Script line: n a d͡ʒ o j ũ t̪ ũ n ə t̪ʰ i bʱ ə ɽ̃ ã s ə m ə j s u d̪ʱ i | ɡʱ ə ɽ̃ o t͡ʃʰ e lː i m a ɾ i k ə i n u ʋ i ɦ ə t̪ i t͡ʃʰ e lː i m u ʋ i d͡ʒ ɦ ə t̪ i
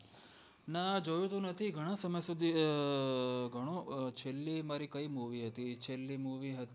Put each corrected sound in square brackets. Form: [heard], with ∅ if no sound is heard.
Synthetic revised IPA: n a d͡ʒ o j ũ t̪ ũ n ə t̪ʰ i [ɡʱ] ə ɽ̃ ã s ə m ə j s u d̪ʱ i | ɡʱ ə ɽ̃ o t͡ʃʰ e lː i m a ɾ i k ə i [m] u ʋ i ɦ ə t̪ i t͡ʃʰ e lː i m u ʋ i [∅] ɦ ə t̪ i